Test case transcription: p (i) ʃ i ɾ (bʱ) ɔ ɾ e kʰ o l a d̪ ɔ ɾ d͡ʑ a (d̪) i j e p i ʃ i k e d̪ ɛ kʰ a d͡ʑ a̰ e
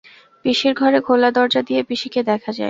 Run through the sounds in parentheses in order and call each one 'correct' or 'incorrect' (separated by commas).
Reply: correct, incorrect, correct